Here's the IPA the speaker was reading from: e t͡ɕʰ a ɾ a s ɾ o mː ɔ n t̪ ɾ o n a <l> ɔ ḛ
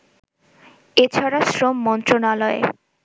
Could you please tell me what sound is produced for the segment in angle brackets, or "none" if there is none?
l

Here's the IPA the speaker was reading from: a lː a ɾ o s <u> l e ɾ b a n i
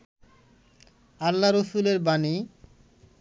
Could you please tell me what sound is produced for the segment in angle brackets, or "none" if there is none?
u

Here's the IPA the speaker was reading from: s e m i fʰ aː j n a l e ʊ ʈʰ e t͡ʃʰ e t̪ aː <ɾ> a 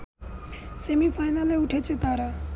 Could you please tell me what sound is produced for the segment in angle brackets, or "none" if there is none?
ɾ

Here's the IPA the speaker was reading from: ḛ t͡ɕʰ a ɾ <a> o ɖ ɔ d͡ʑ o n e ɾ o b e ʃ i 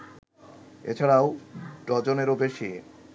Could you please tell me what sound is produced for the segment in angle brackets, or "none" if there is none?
a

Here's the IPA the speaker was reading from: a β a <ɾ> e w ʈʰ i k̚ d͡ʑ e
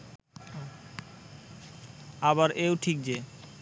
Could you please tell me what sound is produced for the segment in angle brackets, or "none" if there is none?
ɾ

